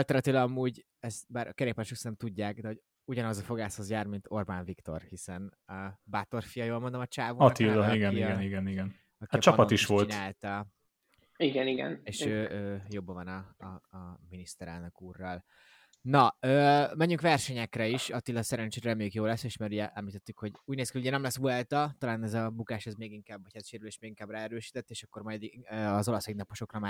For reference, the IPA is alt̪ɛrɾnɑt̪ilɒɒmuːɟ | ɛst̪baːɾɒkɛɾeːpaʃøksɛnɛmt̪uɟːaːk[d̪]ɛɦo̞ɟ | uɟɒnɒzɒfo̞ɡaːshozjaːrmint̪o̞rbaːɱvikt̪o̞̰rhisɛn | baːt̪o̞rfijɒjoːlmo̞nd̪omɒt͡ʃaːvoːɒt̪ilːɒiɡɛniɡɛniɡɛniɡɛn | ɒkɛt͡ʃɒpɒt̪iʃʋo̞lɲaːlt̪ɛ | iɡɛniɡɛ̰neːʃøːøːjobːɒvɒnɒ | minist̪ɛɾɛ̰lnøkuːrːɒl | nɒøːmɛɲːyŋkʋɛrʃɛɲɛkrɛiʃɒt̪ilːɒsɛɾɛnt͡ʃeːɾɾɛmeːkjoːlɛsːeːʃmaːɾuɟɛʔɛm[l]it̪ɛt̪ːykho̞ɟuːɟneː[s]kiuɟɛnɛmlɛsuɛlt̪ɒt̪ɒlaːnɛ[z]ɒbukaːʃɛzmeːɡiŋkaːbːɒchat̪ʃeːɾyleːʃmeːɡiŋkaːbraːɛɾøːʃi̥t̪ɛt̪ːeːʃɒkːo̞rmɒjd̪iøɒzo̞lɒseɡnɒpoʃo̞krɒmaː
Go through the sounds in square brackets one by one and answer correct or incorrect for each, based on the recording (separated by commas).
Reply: correct, correct, correct, correct